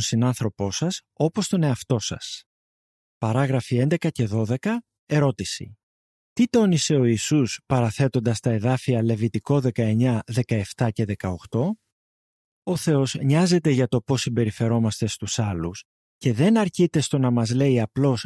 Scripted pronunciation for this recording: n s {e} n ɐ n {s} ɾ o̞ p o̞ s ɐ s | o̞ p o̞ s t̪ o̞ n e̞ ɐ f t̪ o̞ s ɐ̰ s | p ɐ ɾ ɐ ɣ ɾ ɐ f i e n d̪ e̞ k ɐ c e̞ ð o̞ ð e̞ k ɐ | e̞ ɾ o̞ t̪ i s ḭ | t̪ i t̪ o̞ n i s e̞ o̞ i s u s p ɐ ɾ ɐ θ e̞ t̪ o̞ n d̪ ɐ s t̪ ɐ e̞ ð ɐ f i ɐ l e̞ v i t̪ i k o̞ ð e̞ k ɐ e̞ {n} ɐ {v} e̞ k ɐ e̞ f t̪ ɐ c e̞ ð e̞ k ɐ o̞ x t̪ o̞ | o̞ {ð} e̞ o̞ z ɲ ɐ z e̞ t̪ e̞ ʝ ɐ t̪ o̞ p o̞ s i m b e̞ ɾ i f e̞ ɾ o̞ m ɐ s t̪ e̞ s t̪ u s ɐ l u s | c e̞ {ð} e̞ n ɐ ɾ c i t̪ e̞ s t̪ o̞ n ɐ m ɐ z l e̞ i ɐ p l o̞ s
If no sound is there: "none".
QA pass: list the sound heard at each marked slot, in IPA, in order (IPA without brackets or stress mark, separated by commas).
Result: i, θ, ɲ, ð, θ, ð